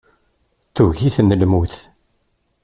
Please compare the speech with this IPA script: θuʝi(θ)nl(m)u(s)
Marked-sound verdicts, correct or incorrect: correct, correct, incorrect

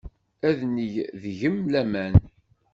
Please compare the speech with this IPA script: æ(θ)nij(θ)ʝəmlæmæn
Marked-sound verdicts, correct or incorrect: incorrect, incorrect

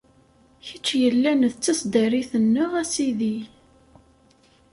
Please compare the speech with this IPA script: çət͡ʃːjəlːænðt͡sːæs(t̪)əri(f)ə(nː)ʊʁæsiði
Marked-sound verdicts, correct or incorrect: incorrect, incorrect, correct

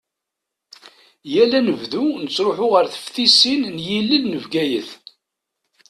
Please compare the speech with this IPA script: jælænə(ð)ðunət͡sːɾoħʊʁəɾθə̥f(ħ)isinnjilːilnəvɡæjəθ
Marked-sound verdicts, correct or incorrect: incorrect, incorrect

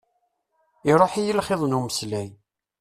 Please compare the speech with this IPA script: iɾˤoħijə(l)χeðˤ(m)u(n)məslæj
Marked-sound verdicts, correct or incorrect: correct, incorrect, incorrect

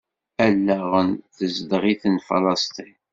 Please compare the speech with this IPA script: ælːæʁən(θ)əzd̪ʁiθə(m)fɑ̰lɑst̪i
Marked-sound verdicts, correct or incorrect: correct, incorrect

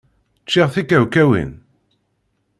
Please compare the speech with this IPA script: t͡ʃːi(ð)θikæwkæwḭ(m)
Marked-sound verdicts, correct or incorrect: incorrect, incorrect

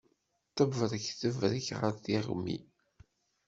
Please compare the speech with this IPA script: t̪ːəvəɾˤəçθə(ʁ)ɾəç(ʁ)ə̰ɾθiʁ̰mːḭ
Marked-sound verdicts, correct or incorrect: incorrect, correct

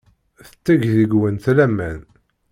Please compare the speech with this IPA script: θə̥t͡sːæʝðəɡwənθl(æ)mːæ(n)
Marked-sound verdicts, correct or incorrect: correct, correct

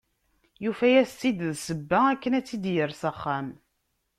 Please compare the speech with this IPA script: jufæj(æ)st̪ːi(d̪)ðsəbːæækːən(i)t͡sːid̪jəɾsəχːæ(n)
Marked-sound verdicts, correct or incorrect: correct, correct, incorrect, incorrect

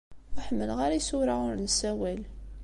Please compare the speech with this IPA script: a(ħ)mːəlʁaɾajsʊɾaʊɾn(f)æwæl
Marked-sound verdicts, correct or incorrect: correct, incorrect

